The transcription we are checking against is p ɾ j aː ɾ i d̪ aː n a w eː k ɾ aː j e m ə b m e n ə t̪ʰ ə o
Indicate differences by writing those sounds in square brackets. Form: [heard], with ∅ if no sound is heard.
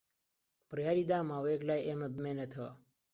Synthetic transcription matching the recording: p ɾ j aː ɾ i d̪ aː [m] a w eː k [l] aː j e m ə b m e n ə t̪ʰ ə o

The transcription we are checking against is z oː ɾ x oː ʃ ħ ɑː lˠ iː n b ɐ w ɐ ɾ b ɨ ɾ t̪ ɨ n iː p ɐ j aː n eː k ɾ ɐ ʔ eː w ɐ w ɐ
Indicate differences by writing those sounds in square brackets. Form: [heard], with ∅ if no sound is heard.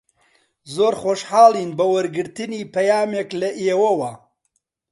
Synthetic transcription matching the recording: z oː ɾ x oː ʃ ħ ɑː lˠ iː n b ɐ w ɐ ɾ [ɡ] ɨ ɾ t̪ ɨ n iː p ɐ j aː [m] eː k [l] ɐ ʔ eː w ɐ w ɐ

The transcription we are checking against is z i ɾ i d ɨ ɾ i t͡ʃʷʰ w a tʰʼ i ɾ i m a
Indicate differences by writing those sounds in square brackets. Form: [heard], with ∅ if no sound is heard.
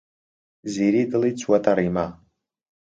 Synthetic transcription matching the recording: z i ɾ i d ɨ [l] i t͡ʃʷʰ w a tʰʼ [a] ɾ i m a

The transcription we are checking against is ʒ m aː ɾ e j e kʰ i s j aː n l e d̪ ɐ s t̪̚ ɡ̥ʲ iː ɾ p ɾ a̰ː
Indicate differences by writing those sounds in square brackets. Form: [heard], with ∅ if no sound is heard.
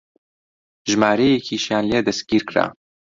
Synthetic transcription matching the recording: ʒ m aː ɾ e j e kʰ i [ʃ] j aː n l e d̪ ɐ s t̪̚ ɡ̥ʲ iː ɾ [k] ɾ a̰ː

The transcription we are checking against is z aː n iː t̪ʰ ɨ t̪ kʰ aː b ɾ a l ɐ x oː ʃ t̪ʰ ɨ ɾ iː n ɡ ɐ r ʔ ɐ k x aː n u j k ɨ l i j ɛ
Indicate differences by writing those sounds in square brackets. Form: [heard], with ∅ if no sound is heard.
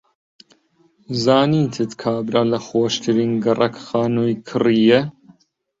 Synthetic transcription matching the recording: z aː n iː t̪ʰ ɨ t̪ kʰ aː b ɾ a l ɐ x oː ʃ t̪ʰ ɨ ɾ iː n ɡ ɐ r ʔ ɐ k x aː n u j [kʰ] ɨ [r] i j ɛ

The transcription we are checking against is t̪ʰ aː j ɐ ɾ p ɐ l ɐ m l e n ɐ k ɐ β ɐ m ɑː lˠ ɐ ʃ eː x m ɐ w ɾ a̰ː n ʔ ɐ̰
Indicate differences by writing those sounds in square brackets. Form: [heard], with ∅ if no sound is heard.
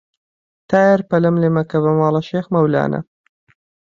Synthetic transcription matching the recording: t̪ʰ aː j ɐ ɾ p ɐ l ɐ m l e [m] ɐ k ɐ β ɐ m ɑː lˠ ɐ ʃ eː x m ɐ w [l] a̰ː n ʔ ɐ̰

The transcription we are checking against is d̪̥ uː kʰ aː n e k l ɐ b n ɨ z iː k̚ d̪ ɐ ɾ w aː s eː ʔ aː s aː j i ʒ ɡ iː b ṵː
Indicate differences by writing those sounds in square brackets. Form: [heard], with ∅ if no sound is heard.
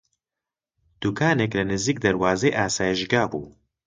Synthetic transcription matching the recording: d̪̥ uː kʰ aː n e k l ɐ [∅] n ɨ z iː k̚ d̪ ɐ ɾ w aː [z] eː ʔ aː s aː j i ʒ ɡ [aː] b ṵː

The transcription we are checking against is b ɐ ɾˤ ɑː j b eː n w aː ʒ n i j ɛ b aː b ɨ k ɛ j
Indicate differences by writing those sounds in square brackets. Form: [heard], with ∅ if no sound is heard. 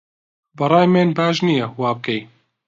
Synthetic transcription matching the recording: b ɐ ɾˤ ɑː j [m] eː n [b] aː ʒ n i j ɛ [w] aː b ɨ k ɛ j

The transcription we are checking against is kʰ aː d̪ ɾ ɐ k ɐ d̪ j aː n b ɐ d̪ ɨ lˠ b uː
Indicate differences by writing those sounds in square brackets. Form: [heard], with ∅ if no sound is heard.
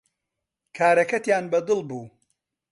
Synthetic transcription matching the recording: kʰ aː [∅] ɾ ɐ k ɐ [t̪] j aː n b ɐ d̪ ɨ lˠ b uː

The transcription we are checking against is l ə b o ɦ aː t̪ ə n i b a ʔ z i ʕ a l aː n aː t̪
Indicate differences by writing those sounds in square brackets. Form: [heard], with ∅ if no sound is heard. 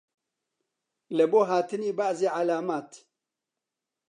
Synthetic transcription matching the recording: l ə b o ɦ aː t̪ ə n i b a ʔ z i ʕ a l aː [m] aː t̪

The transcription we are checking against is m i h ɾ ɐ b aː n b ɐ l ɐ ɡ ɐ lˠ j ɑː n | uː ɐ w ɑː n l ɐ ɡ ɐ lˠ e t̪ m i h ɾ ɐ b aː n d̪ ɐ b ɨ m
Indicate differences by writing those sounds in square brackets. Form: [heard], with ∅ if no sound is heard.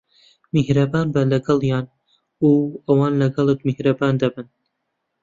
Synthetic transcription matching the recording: m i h ɾ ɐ b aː n b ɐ l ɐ ɡ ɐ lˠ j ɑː n | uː ɐ w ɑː n l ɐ ɡ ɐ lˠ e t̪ m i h ɾ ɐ b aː n d̪ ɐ b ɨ [n]

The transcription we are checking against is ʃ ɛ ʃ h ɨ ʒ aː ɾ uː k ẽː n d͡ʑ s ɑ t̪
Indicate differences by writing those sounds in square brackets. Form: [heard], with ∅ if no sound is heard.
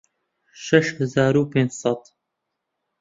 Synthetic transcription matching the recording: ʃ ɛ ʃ h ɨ [z] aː ɾ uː [p] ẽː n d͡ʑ s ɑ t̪

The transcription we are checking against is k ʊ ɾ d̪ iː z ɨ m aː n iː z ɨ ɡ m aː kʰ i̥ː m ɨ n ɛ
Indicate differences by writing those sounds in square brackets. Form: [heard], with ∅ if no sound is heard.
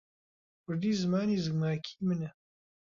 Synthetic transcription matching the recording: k ʊ ɾ d̪ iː z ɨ m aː n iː z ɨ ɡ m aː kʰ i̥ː m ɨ n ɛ

